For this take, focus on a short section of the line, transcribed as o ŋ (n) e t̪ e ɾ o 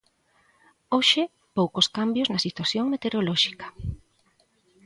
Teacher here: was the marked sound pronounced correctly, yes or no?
no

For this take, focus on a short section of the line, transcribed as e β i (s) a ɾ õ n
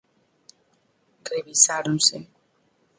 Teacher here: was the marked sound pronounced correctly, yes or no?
yes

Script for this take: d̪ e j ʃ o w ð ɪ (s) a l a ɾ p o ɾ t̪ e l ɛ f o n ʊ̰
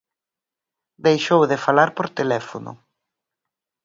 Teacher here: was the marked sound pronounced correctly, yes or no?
no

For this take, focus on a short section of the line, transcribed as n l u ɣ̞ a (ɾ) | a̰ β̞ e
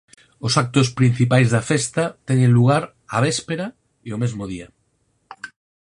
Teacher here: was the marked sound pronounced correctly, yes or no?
yes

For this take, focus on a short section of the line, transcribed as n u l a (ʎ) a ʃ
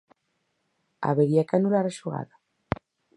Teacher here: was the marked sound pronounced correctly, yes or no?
no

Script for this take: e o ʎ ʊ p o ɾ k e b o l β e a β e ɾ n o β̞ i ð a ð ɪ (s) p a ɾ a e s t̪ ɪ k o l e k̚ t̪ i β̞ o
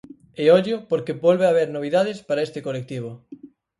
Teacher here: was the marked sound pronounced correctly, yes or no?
yes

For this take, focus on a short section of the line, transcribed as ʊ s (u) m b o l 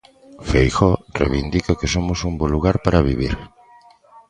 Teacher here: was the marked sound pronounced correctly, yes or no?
yes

